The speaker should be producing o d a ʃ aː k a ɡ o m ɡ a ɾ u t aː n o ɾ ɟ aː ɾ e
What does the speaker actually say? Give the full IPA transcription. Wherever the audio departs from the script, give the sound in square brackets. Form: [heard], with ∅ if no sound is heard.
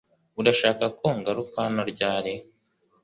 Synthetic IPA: [u] d a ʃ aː k a [k] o [ŋ] ɡ a ɾ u [k] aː n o ɾ ɟ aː ɾ e